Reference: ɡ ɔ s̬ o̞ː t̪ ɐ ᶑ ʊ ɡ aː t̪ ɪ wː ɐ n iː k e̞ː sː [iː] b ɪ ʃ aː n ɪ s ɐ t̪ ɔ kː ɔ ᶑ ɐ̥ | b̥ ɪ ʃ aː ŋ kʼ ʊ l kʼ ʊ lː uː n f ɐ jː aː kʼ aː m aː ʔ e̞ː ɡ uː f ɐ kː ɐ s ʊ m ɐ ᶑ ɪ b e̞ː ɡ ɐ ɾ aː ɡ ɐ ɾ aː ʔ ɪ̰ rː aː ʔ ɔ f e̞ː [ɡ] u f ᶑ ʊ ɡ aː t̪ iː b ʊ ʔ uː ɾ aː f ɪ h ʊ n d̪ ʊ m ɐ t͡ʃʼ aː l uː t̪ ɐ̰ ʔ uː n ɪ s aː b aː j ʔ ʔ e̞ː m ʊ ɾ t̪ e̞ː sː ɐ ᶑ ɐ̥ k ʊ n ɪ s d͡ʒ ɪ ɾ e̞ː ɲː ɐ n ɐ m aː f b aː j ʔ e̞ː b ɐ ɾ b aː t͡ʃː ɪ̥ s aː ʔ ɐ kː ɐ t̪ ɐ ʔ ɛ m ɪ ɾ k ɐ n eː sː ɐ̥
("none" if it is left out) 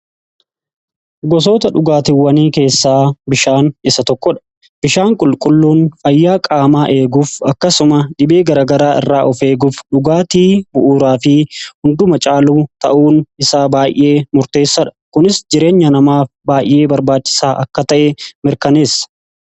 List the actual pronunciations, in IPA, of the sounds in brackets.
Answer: aː, ɡ

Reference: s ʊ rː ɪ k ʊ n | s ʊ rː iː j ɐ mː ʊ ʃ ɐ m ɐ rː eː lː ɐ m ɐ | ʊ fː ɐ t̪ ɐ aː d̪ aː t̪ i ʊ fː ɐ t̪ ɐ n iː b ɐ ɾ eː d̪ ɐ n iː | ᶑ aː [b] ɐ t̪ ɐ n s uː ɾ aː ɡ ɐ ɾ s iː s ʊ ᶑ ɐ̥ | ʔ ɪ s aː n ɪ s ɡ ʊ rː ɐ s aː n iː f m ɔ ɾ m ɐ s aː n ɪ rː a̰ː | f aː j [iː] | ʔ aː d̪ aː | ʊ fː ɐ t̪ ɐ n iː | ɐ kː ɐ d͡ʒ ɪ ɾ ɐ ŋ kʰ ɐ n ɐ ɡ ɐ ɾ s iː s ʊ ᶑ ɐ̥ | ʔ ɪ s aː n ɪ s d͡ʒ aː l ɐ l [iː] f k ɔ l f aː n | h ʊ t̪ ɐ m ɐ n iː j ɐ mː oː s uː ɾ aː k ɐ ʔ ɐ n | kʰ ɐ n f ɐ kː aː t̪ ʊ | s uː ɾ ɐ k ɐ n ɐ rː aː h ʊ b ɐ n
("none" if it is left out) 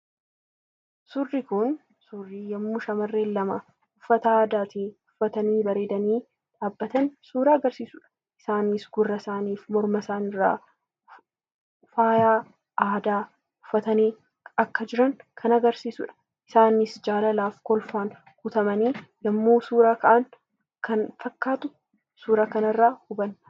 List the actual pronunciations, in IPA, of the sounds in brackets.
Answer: bː, aː, aː

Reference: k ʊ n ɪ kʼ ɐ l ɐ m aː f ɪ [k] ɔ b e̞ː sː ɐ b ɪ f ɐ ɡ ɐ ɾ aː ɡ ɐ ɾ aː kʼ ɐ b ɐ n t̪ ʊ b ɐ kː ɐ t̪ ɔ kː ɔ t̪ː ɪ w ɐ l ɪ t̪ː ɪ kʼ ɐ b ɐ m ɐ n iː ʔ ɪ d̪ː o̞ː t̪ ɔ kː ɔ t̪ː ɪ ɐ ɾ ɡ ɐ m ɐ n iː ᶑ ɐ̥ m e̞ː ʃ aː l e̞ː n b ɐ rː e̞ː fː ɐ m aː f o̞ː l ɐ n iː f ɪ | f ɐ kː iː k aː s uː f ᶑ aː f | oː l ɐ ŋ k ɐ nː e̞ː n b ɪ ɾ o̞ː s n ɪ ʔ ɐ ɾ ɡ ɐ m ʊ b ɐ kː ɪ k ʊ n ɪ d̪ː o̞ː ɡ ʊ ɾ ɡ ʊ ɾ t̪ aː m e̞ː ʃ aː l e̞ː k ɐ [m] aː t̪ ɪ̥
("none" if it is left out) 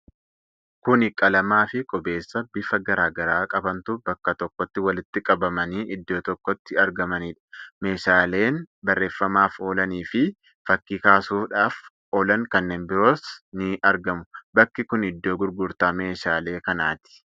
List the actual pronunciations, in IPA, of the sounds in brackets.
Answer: kʼ, n

